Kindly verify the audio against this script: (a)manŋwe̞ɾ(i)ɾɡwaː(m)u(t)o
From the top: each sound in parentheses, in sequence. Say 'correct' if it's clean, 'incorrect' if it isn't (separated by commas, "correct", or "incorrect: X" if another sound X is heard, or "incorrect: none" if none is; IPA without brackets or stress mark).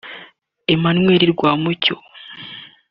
incorrect: e, correct, correct, incorrect: c